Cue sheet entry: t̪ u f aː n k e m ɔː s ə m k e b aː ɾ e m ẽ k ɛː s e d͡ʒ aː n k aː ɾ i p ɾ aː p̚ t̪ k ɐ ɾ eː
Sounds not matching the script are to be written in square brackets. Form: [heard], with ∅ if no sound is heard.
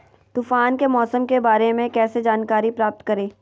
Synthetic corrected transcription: t̪ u f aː n k e m ɔː s ə m k e b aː ɾ e m ẽ k ɛː s e d͡ʒ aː n k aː ɾ i p ɾ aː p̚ t̪ k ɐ ɾ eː